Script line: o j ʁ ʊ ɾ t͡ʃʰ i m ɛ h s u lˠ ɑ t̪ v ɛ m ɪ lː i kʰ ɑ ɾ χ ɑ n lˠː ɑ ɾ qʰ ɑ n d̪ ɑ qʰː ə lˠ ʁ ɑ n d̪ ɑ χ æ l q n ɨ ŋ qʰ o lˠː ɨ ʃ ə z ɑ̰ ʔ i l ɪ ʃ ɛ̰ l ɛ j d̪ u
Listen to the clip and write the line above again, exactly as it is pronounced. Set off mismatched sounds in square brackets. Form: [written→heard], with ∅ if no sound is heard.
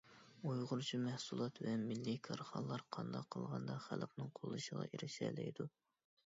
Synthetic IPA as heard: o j ʁ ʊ ɾ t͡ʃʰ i m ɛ h s u lˠ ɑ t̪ v ɛ m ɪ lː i kʰ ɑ ɾ χ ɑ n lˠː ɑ ɾ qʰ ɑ n d̪ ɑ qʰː ə lˠ ʁ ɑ n d̪ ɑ χ æ l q n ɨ ŋ qʰ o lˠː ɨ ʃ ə [z→ʁ] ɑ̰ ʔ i [l→ɾ] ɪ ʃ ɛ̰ l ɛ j d̪ u